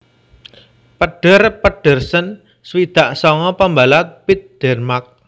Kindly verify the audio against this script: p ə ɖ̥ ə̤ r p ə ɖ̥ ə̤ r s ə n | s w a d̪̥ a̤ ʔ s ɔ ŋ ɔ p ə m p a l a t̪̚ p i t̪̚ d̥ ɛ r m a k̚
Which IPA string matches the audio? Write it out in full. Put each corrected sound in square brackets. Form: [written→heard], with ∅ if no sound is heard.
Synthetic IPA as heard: p ə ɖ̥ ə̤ r p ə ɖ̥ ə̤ r s ə n | s w [a→i] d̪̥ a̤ ʔ s ɔ ŋ ɔ p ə m [p→b] a l a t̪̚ p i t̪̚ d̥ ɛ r m a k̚